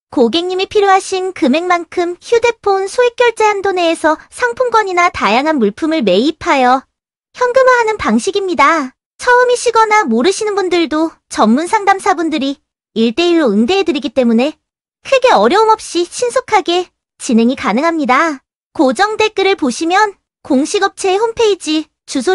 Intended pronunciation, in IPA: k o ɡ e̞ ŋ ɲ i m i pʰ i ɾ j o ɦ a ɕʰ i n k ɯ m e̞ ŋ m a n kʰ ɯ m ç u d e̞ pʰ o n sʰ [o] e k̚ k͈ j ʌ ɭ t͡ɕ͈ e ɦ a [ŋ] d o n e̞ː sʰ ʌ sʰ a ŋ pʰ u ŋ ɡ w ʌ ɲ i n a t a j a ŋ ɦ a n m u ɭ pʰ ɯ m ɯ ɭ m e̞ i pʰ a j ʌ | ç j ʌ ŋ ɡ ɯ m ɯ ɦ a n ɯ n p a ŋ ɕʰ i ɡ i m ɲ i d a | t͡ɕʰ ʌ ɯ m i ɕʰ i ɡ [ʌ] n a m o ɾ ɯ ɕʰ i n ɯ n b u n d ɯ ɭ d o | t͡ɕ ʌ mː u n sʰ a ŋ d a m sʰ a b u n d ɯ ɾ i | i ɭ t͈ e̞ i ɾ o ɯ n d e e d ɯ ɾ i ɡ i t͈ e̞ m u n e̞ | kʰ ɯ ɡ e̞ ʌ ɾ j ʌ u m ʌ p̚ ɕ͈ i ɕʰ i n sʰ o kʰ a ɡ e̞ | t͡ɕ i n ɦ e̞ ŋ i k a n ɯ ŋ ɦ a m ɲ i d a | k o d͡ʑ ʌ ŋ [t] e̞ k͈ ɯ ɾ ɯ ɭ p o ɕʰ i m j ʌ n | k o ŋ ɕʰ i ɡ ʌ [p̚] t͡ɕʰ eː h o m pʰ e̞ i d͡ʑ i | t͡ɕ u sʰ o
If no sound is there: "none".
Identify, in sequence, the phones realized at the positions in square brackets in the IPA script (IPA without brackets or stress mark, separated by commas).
o, n, ʌ, d, p̚